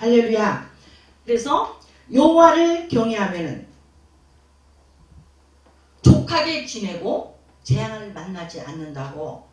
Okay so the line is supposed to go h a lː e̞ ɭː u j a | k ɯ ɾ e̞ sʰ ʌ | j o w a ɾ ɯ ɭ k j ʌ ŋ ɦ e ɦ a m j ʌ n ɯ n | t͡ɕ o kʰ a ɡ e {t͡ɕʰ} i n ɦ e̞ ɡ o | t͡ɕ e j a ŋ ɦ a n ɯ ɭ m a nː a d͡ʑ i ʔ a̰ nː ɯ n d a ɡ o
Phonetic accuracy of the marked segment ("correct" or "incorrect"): incorrect